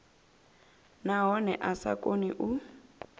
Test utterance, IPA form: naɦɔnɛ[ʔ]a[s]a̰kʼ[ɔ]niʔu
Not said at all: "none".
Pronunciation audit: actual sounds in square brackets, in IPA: ʔ, s, o

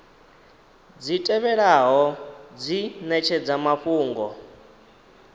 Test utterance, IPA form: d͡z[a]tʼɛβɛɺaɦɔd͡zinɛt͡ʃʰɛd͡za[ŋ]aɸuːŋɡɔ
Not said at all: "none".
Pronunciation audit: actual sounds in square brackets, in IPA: i, m

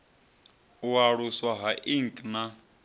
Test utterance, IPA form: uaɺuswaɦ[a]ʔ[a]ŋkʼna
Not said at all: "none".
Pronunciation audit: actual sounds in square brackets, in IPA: a, i

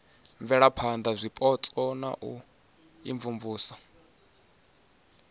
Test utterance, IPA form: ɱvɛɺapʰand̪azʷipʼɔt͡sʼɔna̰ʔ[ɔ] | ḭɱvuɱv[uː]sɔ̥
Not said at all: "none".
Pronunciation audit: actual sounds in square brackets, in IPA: u, uː

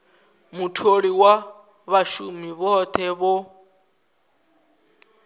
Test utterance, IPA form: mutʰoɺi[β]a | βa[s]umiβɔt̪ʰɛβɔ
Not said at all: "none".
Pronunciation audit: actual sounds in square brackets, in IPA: w, ʃ

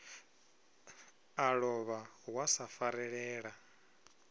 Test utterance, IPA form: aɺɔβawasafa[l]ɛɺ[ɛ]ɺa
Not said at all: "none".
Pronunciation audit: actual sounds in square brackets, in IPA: ɾ, ɛː

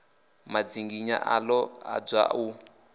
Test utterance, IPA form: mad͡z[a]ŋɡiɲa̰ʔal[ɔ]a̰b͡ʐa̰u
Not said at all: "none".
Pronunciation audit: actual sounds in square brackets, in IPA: i, ɔ

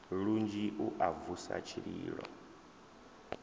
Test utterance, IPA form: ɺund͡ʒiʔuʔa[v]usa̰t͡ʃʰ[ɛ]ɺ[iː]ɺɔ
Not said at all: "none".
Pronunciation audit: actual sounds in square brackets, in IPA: v, i, iː

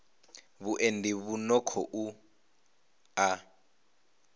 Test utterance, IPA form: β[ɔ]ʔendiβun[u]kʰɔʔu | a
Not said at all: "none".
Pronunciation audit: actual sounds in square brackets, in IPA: u, ɔ

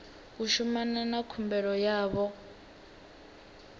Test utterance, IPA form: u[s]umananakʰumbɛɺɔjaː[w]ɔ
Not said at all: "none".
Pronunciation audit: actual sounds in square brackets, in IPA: ʃ, β

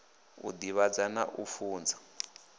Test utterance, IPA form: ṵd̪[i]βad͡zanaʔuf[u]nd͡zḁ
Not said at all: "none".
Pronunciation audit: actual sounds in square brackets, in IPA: i, uː

